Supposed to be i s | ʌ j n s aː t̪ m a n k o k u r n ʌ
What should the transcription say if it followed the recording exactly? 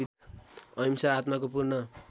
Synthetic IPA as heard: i | ʌ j m s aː t̪ m a k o p u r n ʌ